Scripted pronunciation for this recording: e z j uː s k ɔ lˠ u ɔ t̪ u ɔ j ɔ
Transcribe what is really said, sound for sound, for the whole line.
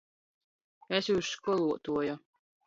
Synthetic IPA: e s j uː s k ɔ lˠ u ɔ t̪ u ɔ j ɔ